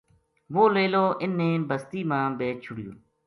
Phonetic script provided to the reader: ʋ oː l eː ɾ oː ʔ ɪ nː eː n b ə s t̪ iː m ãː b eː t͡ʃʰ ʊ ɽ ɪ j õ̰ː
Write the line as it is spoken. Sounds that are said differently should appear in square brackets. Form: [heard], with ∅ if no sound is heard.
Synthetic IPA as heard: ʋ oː l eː [l] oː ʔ ɪ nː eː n b ə s t̪ iː m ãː b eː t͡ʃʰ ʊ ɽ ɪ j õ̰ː